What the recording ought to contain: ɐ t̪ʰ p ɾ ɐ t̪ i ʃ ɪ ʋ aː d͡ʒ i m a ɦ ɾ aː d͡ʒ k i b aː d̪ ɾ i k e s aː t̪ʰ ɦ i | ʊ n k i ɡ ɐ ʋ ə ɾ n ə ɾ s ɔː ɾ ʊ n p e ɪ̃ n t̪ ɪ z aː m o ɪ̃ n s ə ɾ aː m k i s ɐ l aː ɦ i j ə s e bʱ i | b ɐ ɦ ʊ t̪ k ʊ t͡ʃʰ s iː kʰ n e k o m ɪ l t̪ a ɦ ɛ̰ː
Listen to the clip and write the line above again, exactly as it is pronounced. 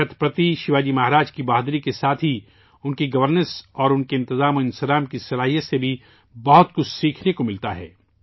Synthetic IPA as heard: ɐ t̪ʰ p ɾ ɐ t̪ i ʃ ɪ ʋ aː d͡ʒ i m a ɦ ɾ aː d͡ʒ k i b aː d̪ ɾ i k e s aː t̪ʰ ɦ i | ʊ n k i ɡ ɐ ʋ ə ɾ n ə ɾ s ɔː ɾ ʊ n k e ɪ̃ n t̪ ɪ z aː m o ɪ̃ n s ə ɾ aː m k i s ɐ l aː ɦ i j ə s e bʱ i | b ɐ ɦ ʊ t̪ k ʊ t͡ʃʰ s iː kʰ n e k o m ɪ l t̪ a ɦ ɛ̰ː